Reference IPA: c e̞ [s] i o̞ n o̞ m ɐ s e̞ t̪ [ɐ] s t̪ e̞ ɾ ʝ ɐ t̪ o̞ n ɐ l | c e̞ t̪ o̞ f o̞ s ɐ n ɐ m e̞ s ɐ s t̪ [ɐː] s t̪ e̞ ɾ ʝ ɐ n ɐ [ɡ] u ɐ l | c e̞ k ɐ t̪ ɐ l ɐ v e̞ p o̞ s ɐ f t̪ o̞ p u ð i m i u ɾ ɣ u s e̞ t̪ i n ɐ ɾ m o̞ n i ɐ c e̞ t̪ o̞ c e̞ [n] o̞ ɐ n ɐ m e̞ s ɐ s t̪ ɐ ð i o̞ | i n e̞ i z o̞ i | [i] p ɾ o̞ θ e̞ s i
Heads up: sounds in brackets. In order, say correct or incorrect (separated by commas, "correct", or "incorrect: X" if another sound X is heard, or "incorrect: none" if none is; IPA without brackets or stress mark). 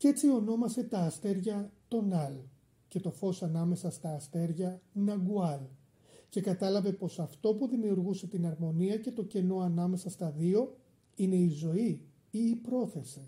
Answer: incorrect: t͡s, incorrect: ɐː, correct, correct, correct, incorrect: iː